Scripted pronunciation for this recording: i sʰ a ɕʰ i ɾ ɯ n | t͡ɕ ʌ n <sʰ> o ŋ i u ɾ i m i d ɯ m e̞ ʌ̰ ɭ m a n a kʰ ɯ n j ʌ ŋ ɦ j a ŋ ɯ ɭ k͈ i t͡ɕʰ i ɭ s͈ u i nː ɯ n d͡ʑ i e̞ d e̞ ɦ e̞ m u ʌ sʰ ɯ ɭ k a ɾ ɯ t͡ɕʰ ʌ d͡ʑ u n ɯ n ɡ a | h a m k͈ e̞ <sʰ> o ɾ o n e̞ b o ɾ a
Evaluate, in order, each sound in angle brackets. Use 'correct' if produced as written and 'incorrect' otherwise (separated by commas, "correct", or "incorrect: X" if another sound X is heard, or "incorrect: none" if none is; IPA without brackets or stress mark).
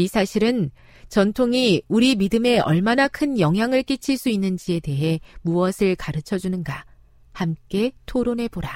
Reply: incorrect: tʰ, incorrect: tʰ